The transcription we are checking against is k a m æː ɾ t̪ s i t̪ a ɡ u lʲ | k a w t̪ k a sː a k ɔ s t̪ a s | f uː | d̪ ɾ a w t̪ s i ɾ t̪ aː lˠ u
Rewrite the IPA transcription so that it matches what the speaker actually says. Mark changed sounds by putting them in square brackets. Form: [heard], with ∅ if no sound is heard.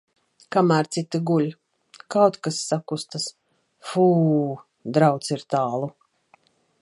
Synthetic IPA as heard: k a m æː ɾ t̪ s i t̪ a ɡ u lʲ | k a w t̪ k a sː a k [u] s t̪ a s | f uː | d̪ ɾ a w t̪ s i ɾ t̪ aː lˠ u